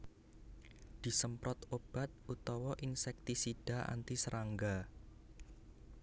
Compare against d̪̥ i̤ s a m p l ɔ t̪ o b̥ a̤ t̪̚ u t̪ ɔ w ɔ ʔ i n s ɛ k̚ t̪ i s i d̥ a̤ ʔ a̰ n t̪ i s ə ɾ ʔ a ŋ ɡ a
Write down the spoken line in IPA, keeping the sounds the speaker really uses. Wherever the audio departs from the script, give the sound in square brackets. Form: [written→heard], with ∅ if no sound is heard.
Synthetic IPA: d̪̥ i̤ s [a→ə] m p [l→ɾ] ɔ t̪ o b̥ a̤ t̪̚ u t̪ ɔ w ɔ ʔ i n s ɛ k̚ t̪ i s i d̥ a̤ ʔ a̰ n t̪ i s ə ɾ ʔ a ŋ ɡ a